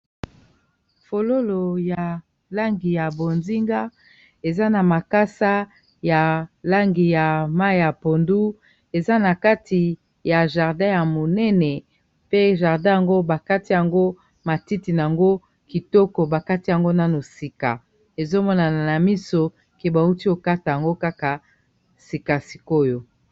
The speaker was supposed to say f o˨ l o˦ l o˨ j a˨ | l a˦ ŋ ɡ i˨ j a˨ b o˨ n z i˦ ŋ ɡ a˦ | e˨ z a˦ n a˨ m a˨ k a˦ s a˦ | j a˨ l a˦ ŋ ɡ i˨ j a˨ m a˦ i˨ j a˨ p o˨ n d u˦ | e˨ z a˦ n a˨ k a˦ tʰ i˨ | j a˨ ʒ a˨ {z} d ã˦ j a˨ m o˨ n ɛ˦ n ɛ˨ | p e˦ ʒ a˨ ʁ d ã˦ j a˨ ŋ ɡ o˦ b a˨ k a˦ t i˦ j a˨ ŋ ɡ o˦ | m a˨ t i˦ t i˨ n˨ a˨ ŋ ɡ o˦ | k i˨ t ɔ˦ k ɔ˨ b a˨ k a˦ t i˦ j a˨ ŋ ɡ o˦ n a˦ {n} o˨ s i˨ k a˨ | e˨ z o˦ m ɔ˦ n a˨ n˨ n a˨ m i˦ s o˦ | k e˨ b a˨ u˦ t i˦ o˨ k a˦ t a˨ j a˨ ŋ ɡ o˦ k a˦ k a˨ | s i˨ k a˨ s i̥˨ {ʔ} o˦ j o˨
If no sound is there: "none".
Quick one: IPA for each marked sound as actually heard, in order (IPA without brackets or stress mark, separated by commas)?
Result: ʁ, n, k